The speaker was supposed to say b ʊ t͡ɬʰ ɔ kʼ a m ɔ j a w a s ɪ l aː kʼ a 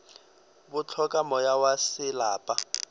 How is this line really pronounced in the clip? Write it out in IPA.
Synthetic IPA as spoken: b ʊ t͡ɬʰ ɔ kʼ a m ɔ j a w a s ɪ l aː pʼ a